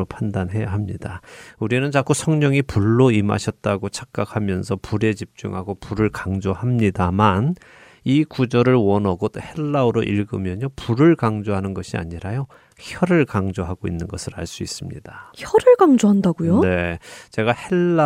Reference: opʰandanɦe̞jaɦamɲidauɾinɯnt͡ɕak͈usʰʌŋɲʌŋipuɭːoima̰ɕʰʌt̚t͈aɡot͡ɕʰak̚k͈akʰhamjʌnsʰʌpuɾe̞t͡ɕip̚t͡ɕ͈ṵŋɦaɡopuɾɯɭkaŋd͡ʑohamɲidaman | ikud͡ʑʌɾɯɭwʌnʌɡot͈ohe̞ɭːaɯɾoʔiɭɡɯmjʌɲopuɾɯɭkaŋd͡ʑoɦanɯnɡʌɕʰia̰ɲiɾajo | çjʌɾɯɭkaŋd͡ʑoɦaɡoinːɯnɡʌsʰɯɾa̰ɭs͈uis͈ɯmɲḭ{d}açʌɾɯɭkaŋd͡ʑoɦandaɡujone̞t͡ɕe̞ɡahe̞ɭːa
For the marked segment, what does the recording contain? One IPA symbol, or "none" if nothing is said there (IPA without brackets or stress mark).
d